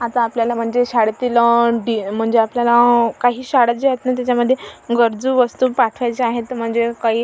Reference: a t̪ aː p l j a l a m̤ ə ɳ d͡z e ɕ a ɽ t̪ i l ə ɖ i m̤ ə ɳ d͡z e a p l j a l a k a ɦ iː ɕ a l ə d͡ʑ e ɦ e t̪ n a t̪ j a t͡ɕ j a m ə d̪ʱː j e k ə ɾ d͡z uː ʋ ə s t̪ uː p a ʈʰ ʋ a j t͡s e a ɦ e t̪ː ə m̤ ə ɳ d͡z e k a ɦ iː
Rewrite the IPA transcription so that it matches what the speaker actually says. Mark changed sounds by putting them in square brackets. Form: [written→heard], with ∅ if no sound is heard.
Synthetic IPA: a t̪ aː p l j a l a m̤ ə ɳ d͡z e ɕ a ɽ t̪ i l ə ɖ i m̤ ə ɳ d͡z e a p l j a l a k a ɦ iː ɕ a [l→ɽ] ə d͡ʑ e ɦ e t̪ n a t̪ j a t͡ɕ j a m ə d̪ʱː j e [k→ɡ] ə ɾ d͡z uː ʋ ə s t̪ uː p a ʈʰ ʋ a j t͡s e a ɦ e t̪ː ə m̤ ə ɳ d͡z e k a ɦ iː

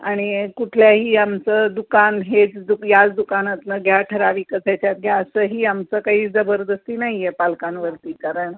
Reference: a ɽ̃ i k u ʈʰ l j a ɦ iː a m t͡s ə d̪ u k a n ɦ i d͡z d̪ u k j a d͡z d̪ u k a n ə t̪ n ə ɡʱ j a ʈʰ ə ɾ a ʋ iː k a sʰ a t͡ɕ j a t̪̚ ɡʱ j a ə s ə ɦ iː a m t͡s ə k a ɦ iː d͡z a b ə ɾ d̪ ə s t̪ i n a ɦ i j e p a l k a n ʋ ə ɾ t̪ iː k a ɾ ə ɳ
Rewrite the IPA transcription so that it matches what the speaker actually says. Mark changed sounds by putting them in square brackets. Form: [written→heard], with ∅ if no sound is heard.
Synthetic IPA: a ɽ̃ i k u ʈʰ l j a ɦ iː a m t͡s ə d̪ u k a n ɦ [i→e] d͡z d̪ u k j a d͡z d̪ u k a n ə t̪ n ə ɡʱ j a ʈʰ ə ɾ a ʋ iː k [a→ə] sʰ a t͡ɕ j a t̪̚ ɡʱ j a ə s ə ɦ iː a m t͡s ə k a ɦ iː d͡z [a→ə] b ə ɾ d̪ ə s t̪ i n a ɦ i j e p a l k a n ʋ ə ɾ t̪ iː k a ɾ ə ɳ

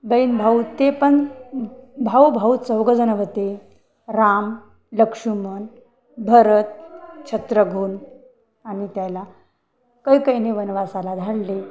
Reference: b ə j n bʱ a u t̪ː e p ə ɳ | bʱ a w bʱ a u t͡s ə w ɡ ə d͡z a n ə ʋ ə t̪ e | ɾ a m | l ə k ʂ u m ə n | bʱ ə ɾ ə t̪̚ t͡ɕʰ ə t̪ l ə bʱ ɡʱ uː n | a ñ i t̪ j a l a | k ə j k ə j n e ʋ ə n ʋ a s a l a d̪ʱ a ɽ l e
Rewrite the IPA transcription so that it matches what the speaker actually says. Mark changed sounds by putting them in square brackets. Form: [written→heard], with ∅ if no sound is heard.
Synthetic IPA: b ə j n bʱ a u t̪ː e p ə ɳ | bʱ a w bʱ a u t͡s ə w ɡ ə d͡z [a→ə] n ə ʋ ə t̪ e | ɾ a m | l ə k ʂ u m ə n | bʱ ə ɾ ə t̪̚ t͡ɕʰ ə t̪ [l→ɾ] ə [bʱ→∅] ɡʱ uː n | a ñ i t̪ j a l a | k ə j k ə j n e ʋ ə n ʋ a s a l a d̪ʱ a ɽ l e

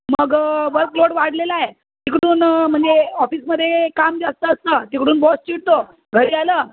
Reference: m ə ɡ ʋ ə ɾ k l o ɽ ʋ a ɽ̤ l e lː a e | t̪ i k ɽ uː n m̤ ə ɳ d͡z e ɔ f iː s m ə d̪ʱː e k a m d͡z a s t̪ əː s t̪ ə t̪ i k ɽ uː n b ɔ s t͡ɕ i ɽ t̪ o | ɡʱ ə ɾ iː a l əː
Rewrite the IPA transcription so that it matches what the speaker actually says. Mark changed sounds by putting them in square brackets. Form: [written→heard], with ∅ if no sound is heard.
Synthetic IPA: m ə ɡ ʋ ə ɾ k l o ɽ ʋ a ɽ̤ l e [lː→l] a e | t̪ i k ɽ uː n m̤ ə ɳ d͡z e ɔ f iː s m ə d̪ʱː e k a m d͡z a s t̪ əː s t̪ ə t̪ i k ɽ uː n b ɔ s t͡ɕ i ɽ t̪ o | ɡʱ ə ɾ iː a l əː

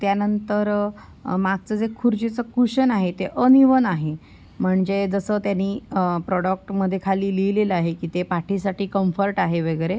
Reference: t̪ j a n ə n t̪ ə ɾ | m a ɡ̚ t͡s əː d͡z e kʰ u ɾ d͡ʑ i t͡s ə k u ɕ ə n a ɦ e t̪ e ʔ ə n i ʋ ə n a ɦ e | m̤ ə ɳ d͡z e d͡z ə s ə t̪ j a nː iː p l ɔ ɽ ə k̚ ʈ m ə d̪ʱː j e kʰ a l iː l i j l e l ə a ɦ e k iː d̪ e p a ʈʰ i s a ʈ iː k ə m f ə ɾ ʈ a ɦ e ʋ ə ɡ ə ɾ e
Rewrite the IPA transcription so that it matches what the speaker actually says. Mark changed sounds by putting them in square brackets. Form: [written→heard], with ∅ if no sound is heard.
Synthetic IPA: t̪ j a n ə n t̪ ə ɾ | m a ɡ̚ t͡s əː d͡z e kʰ u ɾ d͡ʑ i t͡s ə k u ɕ ə n a ɦ e t̪ e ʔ ə n i ʋ ə n a ɦ e | m̤ ə ɳ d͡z e d͡z ə s ə t̪ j a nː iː p [l→ɾ] ɔ ɽ ə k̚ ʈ m ə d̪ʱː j e kʰ a l iː l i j l e l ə a ɦ e k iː [d̪→t̪] e p a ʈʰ i s a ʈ iː k ə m f ə ɾ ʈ a ɦ e ʋ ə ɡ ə ɾ e

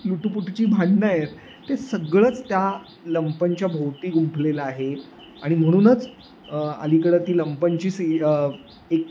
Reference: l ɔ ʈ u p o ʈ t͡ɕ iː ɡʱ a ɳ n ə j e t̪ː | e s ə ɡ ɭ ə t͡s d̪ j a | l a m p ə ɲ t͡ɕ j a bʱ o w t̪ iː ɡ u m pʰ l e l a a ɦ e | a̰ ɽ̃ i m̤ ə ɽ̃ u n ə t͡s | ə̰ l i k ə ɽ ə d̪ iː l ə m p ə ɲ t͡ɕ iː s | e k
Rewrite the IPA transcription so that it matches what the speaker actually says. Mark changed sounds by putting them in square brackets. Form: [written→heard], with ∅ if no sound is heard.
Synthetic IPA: l [ɔ→u] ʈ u p [o→u] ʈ t͡ɕ iː [ɡʱ→bʱ] a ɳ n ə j e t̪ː | e s ə ɡ ɭ ə t͡s [d̪→t̪] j a | l [a→ə] m p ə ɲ t͡ɕ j a bʱ o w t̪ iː ɡ u m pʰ l e l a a ɦ e | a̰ ɽ̃ i m̤ ə ɽ̃ [u→uː] n ə t͡s | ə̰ l i k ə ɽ ə [d̪→t̪] iː l ə m p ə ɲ t͡ɕ iː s | e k

